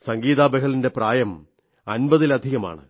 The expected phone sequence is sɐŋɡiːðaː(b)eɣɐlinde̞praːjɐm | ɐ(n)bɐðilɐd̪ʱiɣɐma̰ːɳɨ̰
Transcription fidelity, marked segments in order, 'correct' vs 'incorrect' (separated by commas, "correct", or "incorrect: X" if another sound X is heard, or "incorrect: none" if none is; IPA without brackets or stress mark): correct, correct